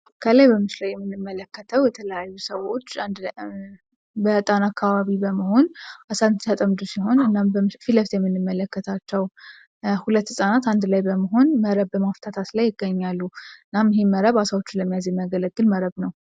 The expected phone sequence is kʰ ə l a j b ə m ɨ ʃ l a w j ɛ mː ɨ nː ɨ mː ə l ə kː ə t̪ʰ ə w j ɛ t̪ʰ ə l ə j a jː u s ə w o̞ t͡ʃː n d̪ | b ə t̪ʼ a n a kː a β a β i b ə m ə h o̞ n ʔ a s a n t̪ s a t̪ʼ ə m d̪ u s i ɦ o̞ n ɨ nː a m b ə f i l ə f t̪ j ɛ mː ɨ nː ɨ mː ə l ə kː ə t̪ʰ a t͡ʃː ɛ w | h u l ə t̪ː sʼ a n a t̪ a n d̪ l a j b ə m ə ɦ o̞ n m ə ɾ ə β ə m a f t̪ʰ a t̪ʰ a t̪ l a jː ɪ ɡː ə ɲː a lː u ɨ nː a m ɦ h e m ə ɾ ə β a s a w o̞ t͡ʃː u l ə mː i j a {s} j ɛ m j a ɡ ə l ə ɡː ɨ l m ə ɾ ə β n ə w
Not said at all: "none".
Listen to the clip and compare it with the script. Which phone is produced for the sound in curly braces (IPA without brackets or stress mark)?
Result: z